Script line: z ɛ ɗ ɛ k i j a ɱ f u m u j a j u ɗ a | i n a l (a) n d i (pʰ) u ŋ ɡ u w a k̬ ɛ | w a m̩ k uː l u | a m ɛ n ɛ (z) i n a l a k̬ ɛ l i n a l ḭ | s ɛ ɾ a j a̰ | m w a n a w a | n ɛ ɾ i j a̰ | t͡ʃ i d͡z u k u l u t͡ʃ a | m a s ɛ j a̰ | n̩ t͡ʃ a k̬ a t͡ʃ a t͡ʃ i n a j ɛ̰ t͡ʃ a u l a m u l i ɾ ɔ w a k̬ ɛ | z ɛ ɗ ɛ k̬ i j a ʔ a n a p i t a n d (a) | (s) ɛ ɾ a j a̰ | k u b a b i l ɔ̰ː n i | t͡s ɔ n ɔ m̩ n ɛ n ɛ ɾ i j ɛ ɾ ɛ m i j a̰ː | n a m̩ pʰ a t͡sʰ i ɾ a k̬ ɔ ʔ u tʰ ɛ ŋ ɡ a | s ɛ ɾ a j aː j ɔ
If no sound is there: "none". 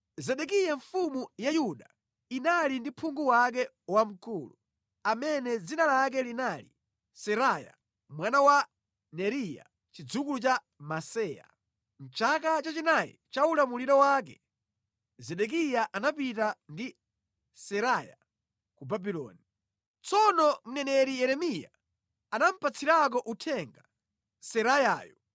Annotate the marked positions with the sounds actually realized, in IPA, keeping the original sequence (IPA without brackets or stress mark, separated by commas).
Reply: i, pʰ, d͡z, i, s